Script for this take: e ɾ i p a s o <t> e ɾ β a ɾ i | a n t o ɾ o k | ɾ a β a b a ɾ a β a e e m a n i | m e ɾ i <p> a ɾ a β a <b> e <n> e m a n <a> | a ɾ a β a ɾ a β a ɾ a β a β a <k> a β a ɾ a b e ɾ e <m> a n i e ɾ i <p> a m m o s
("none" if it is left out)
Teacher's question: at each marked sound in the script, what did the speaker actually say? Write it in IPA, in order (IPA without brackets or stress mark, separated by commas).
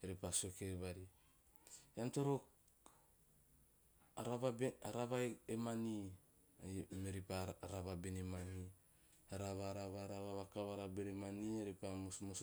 k, p, b, n, i, k, m, p